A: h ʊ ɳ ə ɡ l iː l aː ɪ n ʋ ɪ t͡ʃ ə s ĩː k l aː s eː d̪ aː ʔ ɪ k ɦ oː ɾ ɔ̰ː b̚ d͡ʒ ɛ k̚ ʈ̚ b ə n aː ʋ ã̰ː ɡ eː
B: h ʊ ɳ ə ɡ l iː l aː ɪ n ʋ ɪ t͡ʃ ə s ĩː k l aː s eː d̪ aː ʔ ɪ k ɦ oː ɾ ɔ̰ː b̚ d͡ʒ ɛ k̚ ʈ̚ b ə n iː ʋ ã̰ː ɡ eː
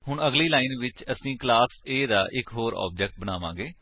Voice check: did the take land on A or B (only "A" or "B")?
A